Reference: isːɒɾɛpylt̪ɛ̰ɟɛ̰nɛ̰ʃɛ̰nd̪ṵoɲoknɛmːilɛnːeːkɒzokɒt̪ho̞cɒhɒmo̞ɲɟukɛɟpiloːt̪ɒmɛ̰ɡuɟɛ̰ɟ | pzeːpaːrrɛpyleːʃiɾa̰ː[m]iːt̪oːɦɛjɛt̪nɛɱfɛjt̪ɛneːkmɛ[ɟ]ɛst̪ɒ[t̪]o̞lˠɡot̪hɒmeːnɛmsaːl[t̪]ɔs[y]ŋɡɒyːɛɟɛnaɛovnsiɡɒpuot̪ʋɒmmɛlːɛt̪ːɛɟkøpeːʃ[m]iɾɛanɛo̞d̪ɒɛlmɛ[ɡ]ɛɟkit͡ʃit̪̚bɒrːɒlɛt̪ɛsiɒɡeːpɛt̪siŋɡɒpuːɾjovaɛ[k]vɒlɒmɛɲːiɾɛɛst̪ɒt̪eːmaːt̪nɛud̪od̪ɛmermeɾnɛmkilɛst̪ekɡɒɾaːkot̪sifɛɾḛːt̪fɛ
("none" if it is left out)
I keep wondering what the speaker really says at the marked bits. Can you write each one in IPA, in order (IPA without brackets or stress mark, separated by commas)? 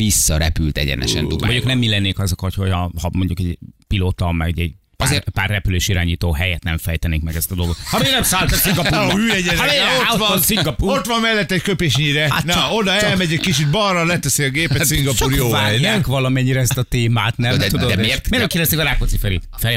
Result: ɲ, ɡ, d̪, t̪, i, ɲ, ɟ, k